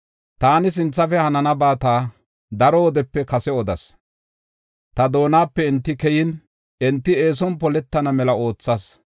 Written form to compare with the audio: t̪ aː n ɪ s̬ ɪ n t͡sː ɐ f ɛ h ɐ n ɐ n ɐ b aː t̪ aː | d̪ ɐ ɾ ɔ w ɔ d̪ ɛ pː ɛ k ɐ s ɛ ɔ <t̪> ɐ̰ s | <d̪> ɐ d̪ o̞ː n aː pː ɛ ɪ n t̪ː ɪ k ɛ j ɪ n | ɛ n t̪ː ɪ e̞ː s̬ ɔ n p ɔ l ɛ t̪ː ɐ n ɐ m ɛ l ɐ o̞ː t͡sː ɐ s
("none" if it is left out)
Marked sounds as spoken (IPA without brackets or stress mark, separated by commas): d̪, t̪